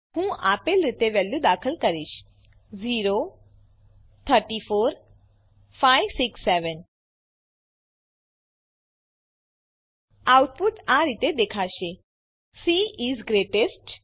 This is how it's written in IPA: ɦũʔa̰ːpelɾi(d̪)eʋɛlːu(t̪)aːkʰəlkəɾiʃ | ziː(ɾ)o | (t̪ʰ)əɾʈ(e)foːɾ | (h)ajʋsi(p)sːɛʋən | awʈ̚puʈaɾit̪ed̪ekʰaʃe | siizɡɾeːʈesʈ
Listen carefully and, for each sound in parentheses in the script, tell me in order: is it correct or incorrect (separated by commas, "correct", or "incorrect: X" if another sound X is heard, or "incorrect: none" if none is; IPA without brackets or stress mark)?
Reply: incorrect: t̪, incorrect: d̪, correct, correct, incorrect: i, incorrect: f, incorrect: k